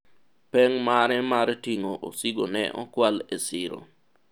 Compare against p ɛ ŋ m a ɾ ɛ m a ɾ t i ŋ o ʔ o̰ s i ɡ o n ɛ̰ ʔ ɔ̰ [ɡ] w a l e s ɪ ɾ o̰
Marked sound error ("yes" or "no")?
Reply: yes